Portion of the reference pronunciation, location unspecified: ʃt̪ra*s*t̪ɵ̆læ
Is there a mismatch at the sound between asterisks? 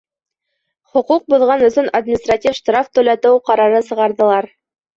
yes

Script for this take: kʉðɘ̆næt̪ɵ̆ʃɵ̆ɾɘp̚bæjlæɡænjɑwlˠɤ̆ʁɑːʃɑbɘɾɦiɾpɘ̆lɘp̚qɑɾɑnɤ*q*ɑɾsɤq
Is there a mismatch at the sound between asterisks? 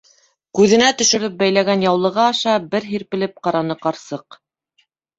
no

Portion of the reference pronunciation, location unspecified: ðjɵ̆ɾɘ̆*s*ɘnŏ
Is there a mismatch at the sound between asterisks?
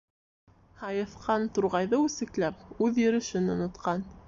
yes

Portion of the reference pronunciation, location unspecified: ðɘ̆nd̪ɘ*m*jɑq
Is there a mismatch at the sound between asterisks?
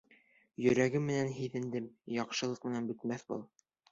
no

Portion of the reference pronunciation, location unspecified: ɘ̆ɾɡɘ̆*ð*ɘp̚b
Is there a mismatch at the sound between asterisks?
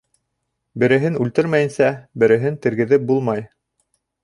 no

